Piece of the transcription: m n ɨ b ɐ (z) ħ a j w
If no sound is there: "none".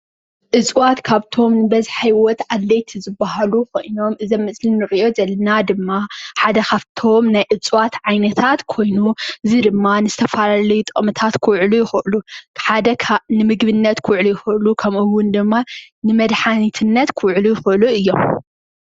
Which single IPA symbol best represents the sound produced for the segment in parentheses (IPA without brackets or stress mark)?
z